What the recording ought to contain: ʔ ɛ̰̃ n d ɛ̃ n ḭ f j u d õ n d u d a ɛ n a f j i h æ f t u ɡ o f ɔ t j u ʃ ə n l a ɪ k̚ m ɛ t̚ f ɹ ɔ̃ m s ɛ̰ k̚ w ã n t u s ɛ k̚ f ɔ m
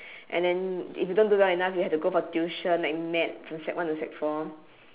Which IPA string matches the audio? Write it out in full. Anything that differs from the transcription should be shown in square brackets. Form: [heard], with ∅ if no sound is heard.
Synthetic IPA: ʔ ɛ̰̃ n d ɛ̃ n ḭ f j u d õ n d u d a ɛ n a f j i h [ɛ] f t u ɡ o f ɔ t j u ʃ ə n l a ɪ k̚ m ɛ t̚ f ɹ ɔ̃ m s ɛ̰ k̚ w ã n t u s ɛ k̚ f ɔ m